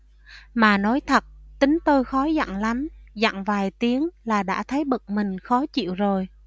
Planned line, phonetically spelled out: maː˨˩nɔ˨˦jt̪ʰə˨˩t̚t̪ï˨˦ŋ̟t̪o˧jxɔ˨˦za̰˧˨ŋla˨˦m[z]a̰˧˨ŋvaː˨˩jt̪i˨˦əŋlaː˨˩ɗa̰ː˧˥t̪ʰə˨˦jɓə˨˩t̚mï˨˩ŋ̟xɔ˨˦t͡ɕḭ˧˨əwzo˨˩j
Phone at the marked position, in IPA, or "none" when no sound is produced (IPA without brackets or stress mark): z